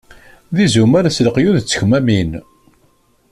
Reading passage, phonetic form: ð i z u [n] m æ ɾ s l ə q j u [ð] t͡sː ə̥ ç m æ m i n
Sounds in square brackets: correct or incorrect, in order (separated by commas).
incorrect, correct